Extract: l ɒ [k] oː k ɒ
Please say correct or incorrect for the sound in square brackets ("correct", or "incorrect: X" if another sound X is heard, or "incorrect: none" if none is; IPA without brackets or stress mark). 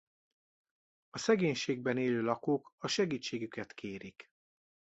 correct